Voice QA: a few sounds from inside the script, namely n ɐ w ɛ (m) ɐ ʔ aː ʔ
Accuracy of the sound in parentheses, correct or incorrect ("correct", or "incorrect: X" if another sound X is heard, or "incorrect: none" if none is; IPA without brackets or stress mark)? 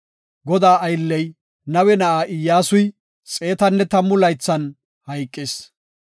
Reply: incorrect: n